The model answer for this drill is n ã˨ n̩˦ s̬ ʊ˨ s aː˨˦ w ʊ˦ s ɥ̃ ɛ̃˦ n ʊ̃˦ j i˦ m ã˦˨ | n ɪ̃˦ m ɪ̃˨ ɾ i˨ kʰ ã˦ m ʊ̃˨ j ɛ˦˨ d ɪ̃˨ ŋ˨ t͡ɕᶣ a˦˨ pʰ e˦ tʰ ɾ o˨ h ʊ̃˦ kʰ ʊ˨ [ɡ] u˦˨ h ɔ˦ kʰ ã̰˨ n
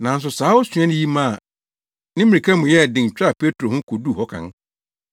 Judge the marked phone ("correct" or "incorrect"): incorrect